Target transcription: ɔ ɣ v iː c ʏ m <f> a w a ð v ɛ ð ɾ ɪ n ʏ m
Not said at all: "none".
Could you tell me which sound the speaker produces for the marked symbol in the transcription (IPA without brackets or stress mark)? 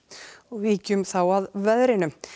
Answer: θ